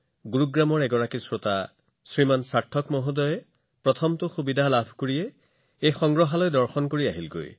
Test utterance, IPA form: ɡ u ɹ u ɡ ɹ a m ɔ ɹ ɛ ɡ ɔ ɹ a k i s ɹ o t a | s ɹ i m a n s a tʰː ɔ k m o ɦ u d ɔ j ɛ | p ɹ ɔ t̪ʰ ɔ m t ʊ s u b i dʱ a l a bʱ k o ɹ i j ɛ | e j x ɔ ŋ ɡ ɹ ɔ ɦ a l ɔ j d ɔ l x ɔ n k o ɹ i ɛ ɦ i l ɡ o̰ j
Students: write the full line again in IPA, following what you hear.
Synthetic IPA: ɡ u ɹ u ɡ ɹ a m ɔ ɹ ɛ ɡ ɔ ɹ a k i s ɹ o t a | s ɹ i m a n s a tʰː ɔ k m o ɦ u d ɔ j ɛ | p ɹ ɔ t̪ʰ ɔ m t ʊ x u b i dʱ a l a bʱ k o ɹ i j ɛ | e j x ɔ ŋ ɡ ɹ ɔ ɦ a l ɔ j d ɔ ɹ x ɔ n k o ɹ i a ɦ i l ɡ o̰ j